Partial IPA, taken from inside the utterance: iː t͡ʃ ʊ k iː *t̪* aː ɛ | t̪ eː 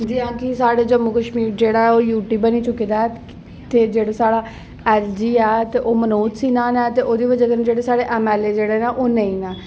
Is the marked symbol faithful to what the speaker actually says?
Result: no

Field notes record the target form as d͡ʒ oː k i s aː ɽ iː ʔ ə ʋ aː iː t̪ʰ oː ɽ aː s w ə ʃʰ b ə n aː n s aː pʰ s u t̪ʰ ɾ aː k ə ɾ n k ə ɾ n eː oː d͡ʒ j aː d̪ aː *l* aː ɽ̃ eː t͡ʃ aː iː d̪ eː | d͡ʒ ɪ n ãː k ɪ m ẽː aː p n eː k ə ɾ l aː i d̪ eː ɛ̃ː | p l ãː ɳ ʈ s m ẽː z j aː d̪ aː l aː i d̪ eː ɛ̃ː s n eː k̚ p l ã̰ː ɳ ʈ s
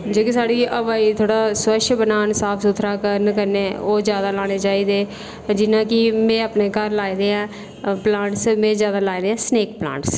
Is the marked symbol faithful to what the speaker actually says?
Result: yes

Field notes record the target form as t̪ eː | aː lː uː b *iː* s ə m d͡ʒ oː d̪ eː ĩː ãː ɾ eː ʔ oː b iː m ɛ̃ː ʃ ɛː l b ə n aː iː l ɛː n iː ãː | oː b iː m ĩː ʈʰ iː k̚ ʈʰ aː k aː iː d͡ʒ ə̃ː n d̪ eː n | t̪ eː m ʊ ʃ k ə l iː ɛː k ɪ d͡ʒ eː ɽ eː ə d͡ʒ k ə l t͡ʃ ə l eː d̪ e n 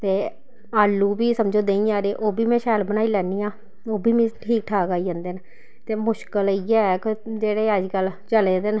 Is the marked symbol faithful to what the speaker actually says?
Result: yes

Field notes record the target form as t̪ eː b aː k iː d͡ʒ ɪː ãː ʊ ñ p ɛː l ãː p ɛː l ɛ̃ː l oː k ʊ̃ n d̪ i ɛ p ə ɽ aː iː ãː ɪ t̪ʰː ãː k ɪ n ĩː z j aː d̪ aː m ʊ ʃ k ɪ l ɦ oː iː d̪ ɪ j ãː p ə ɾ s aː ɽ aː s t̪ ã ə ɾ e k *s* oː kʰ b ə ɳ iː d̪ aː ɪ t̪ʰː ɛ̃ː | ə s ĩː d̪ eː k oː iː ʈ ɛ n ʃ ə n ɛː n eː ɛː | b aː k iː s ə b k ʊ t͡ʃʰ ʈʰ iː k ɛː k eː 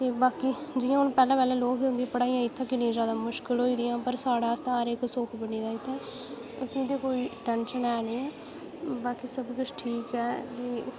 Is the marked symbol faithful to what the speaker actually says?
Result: yes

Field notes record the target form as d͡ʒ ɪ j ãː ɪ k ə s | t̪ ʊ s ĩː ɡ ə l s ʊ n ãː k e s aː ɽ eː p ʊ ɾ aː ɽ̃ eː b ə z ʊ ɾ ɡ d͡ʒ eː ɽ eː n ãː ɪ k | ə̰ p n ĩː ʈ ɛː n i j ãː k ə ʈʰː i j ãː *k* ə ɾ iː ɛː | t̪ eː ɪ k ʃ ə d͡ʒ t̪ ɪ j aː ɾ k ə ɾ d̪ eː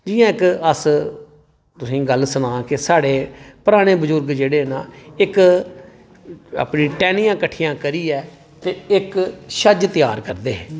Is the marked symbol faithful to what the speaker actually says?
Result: yes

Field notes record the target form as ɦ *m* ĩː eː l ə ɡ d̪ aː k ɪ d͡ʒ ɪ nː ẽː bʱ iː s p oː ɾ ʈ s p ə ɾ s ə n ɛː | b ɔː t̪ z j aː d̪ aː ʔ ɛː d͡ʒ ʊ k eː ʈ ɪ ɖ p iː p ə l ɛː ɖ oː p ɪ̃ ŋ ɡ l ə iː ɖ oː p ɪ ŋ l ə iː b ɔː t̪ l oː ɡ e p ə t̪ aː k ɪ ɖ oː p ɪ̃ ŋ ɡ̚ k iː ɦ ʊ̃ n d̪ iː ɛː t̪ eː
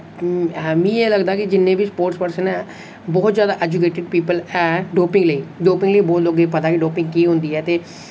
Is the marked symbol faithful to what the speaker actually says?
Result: yes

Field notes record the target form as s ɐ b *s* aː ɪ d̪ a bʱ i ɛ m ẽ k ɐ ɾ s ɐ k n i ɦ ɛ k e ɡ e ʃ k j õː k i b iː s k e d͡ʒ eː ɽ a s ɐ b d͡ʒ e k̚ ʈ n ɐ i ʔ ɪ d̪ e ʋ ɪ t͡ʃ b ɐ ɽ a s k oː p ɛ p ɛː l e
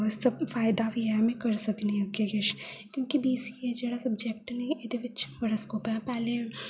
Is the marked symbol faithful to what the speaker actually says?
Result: no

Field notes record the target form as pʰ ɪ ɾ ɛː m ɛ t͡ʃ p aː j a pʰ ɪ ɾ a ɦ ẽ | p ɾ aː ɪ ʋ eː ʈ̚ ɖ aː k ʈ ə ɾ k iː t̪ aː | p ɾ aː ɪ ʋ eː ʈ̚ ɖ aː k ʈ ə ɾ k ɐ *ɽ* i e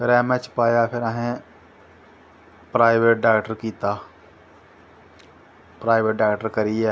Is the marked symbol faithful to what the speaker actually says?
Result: no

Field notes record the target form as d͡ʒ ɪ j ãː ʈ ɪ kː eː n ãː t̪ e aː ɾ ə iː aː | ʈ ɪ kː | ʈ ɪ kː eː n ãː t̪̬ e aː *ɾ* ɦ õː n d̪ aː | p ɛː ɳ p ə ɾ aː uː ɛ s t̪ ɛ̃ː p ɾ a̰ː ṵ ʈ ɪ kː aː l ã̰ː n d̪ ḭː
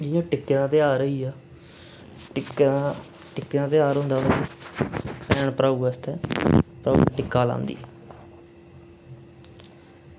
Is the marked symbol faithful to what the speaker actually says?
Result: yes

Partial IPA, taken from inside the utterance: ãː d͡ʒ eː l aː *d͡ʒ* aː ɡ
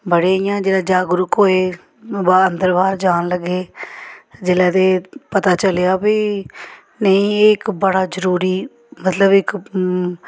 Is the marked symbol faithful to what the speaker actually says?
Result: yes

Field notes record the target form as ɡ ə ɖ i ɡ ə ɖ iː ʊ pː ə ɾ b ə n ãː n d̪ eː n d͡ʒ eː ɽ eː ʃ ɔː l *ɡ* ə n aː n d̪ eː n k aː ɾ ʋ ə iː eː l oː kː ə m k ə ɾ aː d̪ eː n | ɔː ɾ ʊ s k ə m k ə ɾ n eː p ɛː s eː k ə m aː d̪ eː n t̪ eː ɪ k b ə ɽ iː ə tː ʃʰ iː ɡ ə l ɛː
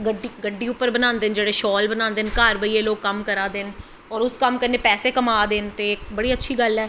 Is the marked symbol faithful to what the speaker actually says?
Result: no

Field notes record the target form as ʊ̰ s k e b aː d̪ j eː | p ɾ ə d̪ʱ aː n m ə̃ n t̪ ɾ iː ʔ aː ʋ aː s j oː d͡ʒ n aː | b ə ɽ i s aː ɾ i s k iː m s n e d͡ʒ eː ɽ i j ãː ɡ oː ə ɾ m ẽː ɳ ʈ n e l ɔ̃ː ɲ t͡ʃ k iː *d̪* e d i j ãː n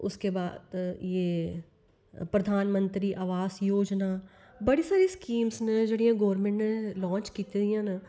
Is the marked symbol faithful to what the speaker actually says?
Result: no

